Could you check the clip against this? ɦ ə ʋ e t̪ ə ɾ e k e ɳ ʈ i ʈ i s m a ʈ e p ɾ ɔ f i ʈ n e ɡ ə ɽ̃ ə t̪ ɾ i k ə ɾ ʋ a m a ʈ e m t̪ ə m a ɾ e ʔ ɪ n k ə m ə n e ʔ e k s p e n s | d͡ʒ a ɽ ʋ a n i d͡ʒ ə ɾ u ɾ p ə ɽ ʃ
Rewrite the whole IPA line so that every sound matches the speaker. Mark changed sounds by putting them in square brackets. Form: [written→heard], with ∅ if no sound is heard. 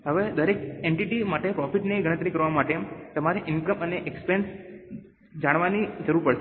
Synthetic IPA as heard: ɦ ə ʋ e [t̪→d̪] ə ɾ e k e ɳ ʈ i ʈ i [s→∅] m a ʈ e p ɾ ɔ f i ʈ n e ɡ ə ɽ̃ ə t̪ ɾ i k ə ɾ ʋ a m a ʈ e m t̪ ə m a ɾ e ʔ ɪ n k ə m ə n e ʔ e k s p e n s | d͡ʒ a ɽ ʋ a n i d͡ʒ ə ɾ u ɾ p ə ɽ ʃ